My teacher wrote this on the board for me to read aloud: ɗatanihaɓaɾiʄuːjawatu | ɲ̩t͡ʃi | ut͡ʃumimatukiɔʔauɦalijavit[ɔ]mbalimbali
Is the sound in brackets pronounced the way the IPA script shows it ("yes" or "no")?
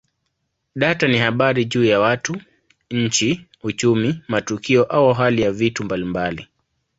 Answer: no